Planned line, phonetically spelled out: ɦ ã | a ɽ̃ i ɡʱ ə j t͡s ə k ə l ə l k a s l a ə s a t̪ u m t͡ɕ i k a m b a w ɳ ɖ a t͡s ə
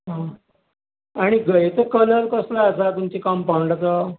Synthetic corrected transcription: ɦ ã | a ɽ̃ i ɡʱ ə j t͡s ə k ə l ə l k ə s l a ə s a t̪ u m t͡ɕ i k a m p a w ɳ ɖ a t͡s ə